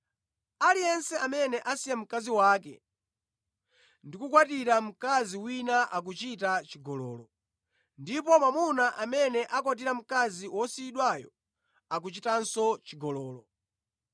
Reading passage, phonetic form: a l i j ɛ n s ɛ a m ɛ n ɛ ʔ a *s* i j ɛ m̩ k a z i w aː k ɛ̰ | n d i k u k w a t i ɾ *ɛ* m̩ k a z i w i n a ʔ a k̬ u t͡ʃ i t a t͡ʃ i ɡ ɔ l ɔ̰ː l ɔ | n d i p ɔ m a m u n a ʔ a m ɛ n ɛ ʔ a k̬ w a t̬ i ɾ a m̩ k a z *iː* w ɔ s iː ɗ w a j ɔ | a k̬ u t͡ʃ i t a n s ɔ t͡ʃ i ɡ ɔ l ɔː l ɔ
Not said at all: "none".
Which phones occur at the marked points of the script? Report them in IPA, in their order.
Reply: s, a, i

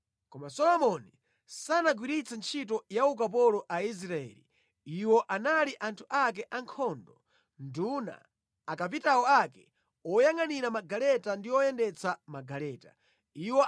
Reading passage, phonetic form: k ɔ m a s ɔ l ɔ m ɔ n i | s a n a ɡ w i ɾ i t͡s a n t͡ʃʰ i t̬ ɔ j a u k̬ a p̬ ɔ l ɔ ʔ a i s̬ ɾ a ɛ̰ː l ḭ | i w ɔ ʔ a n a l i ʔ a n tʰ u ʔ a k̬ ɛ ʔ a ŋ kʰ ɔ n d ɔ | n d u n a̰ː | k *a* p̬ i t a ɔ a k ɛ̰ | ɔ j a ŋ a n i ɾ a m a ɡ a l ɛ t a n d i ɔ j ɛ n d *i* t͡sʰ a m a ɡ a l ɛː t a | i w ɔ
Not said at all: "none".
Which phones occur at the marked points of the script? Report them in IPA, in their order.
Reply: a, ɛ

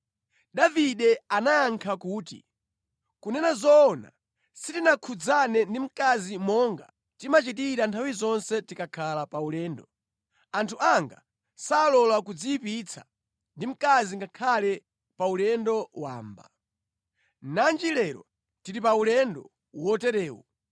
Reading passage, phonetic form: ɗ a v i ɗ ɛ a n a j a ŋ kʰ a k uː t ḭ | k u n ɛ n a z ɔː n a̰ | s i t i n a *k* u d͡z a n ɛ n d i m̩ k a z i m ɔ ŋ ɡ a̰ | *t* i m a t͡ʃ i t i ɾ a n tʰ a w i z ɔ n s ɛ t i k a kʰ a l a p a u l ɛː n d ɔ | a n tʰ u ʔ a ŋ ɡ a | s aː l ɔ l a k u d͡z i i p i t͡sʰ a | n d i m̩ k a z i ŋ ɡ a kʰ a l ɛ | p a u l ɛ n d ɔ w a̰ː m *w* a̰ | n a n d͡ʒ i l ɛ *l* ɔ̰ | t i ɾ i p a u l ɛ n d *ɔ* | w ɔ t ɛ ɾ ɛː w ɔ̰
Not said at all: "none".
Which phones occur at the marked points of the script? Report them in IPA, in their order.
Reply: kʰ, t, b, ɾ, ɔ

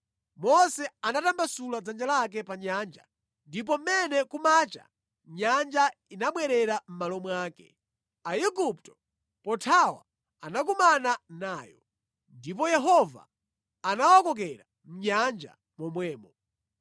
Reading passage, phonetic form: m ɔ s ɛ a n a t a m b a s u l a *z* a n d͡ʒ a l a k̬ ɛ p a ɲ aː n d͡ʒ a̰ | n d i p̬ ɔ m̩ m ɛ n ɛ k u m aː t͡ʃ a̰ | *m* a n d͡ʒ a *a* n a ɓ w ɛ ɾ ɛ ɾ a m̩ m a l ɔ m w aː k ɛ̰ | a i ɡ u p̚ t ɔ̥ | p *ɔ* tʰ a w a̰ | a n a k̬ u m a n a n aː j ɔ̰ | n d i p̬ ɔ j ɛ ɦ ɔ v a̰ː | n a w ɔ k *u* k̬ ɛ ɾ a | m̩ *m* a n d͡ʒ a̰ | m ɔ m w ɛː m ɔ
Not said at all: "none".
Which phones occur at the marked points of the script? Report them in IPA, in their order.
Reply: d͡z, ɲ, i, ɔ, ɔ, ɲ

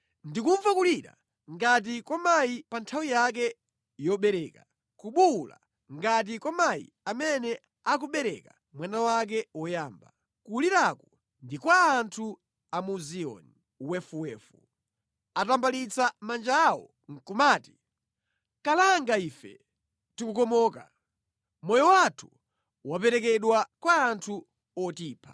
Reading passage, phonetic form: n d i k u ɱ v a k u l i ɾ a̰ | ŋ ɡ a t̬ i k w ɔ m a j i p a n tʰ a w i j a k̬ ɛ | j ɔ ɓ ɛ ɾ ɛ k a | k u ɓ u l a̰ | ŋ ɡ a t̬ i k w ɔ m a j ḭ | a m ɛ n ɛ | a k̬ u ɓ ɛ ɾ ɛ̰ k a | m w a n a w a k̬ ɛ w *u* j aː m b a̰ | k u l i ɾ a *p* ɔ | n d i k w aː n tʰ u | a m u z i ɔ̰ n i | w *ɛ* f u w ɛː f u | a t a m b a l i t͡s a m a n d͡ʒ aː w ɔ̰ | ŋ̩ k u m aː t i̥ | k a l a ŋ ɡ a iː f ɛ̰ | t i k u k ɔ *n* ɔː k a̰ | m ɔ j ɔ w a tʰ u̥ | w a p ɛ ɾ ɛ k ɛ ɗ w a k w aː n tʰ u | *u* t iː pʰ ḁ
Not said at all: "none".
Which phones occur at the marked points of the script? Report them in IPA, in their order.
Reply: ɔ, k, ɛ, m, ɔ

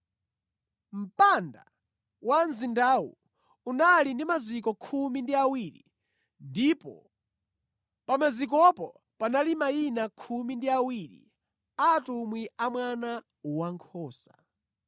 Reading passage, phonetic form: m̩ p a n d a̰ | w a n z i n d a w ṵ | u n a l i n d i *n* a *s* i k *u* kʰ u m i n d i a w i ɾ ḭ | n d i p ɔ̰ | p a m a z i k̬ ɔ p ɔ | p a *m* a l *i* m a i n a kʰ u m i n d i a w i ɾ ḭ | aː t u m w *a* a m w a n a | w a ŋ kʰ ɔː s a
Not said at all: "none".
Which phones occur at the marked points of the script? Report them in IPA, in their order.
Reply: m, z, ɔ, n, i, i

